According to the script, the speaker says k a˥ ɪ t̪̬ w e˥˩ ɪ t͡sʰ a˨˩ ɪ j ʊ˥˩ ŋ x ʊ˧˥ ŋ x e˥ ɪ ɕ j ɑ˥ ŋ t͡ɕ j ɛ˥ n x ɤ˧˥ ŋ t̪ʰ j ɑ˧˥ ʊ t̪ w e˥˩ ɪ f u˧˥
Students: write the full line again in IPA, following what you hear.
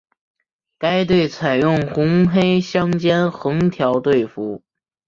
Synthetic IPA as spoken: k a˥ ɪ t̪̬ w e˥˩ ɪ t͡sʰ a˨˩ ɪ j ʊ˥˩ ŋ x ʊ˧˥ ŋ x e˥ ɪ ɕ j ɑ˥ ŋ t͡ɕ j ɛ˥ n x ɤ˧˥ ŋ t̪ʰ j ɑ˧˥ ʊ t̪ w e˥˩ ɪ f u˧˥